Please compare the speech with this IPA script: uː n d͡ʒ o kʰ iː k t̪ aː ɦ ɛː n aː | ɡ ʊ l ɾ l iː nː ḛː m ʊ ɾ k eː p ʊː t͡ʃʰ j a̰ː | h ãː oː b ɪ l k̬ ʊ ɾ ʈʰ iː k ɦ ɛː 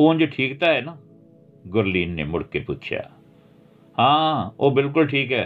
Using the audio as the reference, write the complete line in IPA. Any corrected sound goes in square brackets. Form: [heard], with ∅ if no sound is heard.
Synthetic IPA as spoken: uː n d͡ʒ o [ʈʰ] iː k t̪ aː ɦ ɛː n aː | ɡ ʊ [∅] ɾ l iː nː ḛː m ʊ [ɽ] k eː p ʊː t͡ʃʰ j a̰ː | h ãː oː b ɪ l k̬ ʊ [l] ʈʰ iː k ɦ ɛː